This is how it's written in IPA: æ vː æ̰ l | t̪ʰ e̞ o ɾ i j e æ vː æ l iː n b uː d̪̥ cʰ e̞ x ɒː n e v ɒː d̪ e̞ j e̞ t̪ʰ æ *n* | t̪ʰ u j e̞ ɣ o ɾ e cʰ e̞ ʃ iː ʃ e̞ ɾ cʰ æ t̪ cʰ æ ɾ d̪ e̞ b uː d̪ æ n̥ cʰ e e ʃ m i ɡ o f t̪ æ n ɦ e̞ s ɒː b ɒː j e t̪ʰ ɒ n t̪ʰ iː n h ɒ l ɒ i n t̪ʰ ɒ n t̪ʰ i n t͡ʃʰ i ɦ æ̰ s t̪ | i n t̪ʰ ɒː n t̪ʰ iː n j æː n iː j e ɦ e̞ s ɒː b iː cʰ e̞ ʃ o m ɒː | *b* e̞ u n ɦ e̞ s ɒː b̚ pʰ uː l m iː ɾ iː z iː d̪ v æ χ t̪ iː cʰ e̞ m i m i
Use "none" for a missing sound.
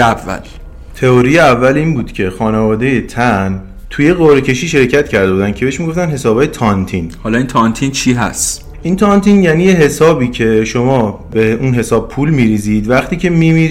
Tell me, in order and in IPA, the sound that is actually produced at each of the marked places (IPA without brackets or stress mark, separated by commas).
n, b